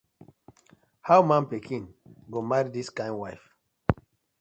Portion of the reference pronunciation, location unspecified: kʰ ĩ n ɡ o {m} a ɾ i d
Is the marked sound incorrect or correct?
correct